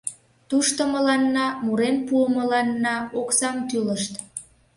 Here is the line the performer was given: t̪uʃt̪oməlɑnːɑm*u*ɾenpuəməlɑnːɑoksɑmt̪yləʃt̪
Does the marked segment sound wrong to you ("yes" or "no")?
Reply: no